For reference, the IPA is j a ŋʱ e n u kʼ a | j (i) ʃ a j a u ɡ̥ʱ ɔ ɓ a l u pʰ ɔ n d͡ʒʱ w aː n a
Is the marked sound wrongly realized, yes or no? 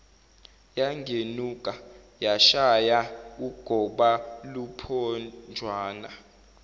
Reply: yes